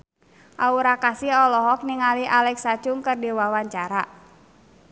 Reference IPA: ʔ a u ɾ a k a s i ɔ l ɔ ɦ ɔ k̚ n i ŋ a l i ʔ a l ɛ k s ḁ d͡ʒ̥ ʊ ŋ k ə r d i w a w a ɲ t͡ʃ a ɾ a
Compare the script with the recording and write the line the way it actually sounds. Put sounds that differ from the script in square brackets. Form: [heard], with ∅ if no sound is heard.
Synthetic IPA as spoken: ʔ a u ɾ a k a s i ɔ l ɔ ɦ ɔ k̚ n i ŋ a l i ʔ a l ɛ k s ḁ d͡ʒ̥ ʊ ŋ k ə r d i w a w a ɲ t͡ʃ a ɾ a